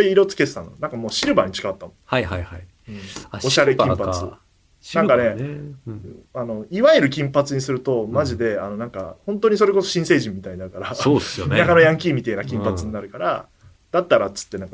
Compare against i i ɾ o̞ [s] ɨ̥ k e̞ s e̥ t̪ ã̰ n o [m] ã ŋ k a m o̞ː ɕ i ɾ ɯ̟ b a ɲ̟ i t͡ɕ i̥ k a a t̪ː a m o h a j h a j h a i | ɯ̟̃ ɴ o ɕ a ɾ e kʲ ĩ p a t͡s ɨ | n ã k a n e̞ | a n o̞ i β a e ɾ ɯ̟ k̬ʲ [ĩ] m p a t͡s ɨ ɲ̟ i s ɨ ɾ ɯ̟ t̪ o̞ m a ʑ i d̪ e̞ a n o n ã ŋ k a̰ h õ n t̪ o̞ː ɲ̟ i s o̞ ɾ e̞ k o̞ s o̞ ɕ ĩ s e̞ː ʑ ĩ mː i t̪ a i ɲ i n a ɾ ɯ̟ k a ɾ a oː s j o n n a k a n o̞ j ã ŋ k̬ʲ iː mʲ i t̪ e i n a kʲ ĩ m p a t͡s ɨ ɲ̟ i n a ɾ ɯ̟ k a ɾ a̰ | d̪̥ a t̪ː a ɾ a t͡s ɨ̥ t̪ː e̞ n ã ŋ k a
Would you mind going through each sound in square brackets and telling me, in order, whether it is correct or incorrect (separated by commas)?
incorrect, incorrect, correct